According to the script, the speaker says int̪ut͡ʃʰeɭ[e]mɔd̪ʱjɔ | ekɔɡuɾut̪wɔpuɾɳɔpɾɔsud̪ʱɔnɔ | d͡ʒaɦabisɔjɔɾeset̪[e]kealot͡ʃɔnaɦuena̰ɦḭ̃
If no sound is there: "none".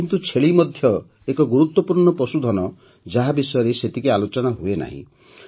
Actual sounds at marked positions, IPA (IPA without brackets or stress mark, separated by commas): i, i